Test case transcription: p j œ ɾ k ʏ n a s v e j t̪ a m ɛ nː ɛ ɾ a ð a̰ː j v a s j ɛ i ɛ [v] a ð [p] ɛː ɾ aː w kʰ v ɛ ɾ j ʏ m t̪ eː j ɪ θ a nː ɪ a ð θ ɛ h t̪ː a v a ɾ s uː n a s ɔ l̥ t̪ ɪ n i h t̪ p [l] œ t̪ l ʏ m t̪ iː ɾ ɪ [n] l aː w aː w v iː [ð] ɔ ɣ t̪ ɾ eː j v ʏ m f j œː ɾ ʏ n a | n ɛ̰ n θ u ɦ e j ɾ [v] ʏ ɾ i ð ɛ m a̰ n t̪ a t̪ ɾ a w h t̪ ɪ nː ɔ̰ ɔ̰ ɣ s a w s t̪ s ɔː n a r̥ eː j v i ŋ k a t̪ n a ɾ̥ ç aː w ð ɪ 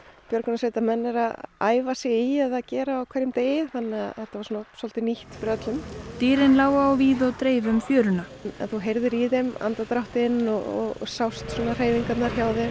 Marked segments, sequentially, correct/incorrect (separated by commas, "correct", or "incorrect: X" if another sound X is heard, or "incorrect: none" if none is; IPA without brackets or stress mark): incorrect: ð, incorrect: c, incorrect: ɾ, correct, correct, incorrect: ð